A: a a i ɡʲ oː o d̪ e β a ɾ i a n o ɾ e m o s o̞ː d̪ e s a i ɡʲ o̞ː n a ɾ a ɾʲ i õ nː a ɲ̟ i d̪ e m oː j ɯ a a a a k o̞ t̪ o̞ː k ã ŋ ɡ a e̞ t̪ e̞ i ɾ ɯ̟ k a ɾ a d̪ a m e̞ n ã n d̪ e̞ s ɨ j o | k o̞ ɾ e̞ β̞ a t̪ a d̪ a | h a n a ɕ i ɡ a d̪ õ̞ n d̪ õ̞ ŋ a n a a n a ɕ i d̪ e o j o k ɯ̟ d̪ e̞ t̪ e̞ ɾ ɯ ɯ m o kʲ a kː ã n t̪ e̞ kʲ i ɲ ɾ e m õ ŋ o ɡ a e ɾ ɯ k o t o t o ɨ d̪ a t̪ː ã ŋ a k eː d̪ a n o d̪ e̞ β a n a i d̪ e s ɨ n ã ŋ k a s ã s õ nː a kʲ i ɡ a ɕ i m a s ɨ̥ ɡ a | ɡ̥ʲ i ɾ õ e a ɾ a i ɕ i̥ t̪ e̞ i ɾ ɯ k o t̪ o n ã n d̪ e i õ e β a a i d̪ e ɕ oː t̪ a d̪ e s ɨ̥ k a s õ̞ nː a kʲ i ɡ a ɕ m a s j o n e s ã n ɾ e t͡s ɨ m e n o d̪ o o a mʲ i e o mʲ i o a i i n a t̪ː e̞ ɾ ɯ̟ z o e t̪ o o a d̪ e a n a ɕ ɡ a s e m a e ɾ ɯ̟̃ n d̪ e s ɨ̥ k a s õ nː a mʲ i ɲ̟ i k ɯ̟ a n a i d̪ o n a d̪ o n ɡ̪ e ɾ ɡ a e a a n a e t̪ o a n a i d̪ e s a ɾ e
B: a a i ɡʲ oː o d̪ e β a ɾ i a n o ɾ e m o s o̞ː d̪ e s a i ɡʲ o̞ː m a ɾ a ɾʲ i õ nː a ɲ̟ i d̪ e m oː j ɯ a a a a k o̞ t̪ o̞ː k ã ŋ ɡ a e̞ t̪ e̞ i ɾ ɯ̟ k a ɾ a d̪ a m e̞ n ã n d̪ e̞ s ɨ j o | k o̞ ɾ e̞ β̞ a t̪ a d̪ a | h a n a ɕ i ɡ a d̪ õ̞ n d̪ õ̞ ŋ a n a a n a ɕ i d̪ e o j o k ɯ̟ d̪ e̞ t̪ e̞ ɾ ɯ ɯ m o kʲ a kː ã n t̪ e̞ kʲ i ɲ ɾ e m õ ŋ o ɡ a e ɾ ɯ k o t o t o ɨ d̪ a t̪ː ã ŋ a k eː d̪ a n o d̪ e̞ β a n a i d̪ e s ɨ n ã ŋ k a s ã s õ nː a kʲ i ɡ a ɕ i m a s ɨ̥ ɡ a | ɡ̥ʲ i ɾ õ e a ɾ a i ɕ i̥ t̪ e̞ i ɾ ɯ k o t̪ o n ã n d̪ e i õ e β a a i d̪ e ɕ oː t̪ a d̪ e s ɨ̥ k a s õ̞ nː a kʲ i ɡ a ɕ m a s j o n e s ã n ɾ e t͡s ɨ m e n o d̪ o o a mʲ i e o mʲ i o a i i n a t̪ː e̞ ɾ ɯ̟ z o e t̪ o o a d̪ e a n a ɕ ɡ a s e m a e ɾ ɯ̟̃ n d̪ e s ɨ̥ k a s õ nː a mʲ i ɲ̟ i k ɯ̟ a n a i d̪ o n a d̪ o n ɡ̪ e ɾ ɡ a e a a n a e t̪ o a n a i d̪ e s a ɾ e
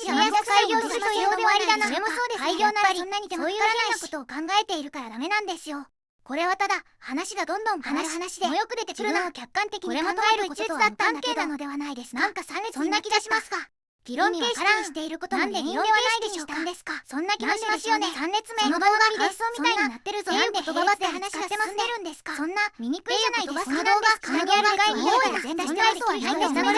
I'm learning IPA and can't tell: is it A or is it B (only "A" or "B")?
A